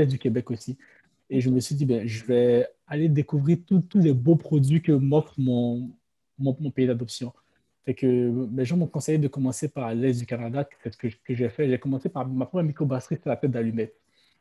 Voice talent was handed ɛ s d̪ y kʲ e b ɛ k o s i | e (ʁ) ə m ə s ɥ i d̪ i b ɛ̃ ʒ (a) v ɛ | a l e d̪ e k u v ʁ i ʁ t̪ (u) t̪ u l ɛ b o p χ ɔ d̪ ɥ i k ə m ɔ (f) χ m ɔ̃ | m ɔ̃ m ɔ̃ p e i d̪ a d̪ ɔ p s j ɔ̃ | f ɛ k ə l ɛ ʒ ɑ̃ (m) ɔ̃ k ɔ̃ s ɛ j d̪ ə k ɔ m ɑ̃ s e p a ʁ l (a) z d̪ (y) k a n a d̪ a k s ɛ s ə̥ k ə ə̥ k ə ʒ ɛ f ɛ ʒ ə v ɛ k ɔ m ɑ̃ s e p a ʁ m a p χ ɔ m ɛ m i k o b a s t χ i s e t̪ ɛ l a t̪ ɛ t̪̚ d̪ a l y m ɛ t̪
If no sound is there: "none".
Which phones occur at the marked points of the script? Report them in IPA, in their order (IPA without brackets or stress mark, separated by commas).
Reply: ʒ, ə, u, f, m, ɛ, y